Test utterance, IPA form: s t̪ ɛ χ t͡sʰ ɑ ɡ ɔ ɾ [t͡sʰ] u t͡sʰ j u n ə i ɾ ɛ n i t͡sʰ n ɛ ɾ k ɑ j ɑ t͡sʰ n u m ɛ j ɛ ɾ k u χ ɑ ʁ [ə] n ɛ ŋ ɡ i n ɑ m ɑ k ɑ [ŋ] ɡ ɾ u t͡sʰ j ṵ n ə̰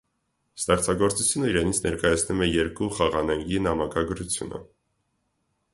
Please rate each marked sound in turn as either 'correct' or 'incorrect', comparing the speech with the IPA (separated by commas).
incorrect, incorrect, incorrect